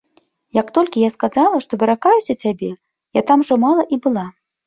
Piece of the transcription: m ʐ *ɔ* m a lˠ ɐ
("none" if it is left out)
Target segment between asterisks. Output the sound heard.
ɔ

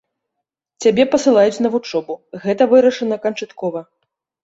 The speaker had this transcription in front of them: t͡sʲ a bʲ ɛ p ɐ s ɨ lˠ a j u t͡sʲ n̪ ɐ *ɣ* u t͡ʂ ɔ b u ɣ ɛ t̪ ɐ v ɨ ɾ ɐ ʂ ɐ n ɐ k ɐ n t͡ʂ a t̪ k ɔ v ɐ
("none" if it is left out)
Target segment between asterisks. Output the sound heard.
v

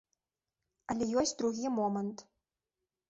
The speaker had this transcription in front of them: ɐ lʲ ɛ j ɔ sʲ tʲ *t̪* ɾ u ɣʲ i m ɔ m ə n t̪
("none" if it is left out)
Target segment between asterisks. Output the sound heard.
d̪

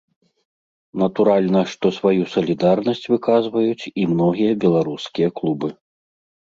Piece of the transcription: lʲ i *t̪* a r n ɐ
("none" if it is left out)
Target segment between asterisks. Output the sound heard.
d̪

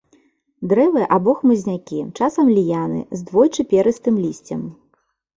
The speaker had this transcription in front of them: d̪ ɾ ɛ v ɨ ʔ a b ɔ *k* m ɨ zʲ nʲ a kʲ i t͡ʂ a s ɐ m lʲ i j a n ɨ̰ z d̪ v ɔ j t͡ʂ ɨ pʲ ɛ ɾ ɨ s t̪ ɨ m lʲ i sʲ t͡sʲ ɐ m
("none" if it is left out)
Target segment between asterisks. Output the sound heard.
x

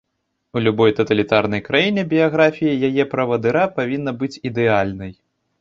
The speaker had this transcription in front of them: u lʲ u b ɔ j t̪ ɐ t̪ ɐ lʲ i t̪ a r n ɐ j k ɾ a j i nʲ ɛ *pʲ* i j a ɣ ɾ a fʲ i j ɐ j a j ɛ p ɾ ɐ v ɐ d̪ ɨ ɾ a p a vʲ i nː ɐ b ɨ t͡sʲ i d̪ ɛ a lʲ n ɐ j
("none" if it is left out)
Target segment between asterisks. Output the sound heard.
bʲ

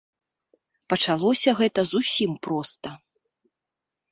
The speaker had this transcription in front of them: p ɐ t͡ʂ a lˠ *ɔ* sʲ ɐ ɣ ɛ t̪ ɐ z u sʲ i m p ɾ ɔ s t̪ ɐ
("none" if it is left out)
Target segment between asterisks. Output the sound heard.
ɔ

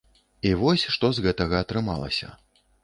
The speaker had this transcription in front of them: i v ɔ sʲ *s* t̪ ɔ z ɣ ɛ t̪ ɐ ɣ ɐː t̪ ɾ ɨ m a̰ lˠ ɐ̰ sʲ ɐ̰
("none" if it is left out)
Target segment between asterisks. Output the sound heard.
ʂ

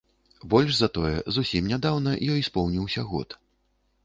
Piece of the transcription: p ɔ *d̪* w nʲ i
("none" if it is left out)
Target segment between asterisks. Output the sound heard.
none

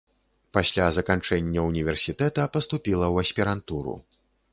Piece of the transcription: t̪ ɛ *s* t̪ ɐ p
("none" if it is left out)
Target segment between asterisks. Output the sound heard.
none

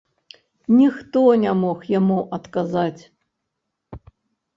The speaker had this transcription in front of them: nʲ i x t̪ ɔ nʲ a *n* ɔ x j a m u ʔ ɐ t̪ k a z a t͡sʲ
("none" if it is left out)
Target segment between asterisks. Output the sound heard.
m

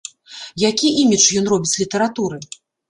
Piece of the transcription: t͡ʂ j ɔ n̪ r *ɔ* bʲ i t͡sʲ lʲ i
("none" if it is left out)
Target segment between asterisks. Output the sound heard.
ɔ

